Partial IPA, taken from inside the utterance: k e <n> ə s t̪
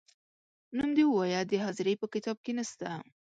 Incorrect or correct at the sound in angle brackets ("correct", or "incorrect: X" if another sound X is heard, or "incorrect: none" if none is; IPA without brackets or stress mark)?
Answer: correct